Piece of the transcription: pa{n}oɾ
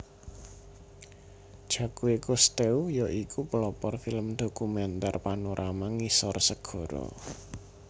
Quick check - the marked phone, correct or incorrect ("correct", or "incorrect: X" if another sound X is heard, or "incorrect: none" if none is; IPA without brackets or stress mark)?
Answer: correct